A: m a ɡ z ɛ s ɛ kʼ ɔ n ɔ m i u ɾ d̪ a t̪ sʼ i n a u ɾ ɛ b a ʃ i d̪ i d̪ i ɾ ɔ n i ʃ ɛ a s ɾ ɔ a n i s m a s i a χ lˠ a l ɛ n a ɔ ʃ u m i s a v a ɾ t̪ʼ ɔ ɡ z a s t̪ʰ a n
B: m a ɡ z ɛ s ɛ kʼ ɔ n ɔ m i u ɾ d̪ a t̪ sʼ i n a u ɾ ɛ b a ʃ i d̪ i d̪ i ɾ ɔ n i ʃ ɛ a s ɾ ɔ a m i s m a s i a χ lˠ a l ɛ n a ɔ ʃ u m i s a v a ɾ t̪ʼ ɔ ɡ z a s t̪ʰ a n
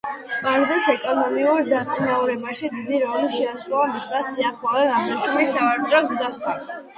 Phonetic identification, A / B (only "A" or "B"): B